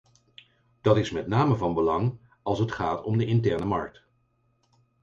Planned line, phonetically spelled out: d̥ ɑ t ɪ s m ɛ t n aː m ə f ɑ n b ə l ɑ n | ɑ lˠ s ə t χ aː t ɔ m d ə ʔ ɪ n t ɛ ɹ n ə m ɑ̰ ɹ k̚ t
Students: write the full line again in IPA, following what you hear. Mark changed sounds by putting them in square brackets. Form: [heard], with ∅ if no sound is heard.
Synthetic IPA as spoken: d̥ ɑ t ɪ s m ɛ t n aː m ə [v] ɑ n b ə l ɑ [ŋ] | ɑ lˠ s ə t χ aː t ɔ m d ə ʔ ɪ n t ɛ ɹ n ə m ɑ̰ ɹ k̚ t